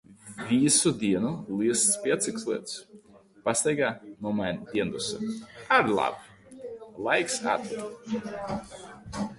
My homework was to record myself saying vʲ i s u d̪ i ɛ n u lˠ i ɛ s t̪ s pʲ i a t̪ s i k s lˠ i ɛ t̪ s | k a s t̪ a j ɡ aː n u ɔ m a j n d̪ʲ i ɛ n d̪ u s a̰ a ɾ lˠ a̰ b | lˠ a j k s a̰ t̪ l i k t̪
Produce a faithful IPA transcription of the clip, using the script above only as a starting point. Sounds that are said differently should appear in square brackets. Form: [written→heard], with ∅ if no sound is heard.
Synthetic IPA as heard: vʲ i s u d̪ i ɛ n u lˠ i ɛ s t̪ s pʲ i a t̪ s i k s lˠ i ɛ t̪ s | [k→p] a s t̪ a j ɡ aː n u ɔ m a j n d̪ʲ i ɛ n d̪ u s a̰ a ɾ lˠ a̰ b | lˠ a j k s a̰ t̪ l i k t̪